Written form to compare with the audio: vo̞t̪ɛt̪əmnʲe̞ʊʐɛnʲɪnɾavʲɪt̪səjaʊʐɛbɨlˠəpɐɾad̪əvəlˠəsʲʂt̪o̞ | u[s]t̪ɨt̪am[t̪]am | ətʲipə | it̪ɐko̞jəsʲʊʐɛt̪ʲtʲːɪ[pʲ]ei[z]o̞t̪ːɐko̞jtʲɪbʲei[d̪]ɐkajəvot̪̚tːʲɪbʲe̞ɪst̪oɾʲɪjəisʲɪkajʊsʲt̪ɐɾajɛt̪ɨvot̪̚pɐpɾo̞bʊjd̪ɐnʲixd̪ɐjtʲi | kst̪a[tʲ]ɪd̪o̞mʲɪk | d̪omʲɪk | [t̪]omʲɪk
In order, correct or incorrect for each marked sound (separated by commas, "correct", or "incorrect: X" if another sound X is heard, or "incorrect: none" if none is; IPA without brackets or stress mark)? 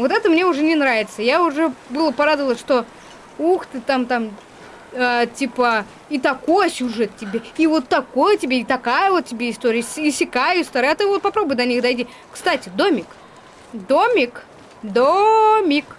incorrect: x, correct, incorrect: bʲ, incorrect: v, incorrect: t̪, correct, incorrect: d̪